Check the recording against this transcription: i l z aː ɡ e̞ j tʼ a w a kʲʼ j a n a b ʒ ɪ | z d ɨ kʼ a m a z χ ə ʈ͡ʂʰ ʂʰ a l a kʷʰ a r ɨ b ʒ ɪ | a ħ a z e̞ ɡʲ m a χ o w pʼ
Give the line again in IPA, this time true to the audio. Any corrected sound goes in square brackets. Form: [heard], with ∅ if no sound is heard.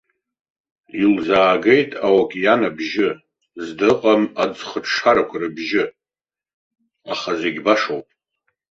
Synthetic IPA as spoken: i l z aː ɡ e̞ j tʼ a w a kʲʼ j a n a b ʒ ɪ | z d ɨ [qʼ] a m a [d͡z] χ ə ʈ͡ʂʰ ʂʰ a [ɾ] a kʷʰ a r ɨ b ʒ ɪ | a [χ] a z e̞ ɡʲ [b] a [ʂ] o w pʼ